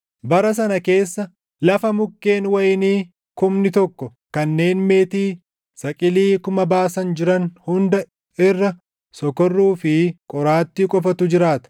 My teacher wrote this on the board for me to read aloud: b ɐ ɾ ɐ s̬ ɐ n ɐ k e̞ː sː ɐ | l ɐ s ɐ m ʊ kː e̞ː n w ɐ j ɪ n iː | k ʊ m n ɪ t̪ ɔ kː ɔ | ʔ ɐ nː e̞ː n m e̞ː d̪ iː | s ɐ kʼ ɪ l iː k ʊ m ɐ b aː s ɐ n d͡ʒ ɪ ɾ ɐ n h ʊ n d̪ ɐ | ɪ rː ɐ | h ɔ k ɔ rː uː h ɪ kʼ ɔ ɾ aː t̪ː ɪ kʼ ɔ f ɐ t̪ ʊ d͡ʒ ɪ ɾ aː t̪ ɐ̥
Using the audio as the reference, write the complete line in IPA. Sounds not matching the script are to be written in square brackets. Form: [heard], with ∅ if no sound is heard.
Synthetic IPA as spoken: b ɐ ɾ ɐ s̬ ɐ n ɐ k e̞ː sː ɐ | l ɐ [f] ɐ m ʊ kː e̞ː n w ɐ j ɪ n iː | k ʊ m n ɪ t̪ ɔ kː ɔ | [k] ɐ nː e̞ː n m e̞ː [t̪] iː | s ɐ kʼ ɪ l iː k ʊ m ɐ b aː s ɐ n d͡ʒ ɪ ɾ ɐ n h ʊ n d̪ ɐ | ɪ rː ɐ | [s] ɔ k ɔ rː uː [f] ɪ kʼ ɔ ɾ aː t̪ː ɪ kʼ ɔ f ɐ t̪ ʊ d͡ʒ ɪ ɾ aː t̪ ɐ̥